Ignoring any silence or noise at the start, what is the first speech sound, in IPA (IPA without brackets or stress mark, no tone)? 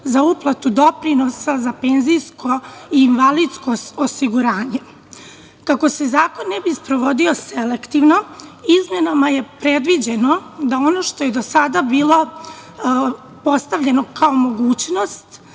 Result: z